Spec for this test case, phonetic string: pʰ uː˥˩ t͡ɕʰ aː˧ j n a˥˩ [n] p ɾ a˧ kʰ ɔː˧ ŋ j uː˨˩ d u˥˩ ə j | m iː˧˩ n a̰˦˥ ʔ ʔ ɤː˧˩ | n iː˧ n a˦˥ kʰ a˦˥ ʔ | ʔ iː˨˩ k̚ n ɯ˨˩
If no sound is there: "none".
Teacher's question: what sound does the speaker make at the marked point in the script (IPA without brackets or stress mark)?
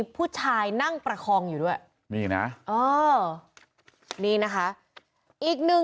ŋ